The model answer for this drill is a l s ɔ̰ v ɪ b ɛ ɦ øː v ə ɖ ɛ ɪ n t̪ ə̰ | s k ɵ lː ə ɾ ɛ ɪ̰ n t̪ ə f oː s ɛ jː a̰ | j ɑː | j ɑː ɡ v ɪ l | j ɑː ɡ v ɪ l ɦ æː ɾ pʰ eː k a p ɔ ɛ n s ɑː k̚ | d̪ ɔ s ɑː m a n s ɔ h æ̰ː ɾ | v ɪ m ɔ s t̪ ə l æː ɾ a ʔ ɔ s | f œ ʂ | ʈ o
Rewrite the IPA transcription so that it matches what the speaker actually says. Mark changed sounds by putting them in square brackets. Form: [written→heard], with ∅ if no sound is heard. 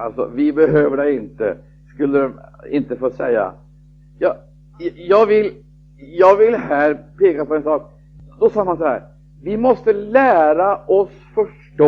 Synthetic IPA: a l s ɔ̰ v ɪ b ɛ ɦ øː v ə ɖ ɛ ɪ n t̪ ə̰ | s k ɵ lː ə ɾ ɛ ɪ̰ n t̪ ə f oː s ɛ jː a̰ | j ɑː | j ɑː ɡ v ɪ l | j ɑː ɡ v ɪ l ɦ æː ɾ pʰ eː k a p ɔ ɛ n s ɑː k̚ | d̪ ɔ s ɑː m a n s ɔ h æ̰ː ɾ | v ɪ m ɔ s t̪ ə l æː ɾ a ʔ ɔ s | f œ ʂ | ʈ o